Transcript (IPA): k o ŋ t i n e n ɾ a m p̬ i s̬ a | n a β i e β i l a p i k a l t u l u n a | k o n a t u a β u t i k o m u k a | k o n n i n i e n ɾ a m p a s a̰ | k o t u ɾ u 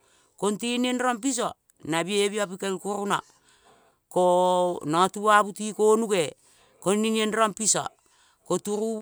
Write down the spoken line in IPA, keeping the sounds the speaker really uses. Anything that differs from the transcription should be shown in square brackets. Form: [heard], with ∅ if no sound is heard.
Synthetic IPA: k o [n] t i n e n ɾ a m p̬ i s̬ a | n a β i e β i [∅] a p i k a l [k] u [ɾ] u n a | k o n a t u a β u t i k o [n] u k [e] | k o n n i n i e n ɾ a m p [i] s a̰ | k o t u ɾ u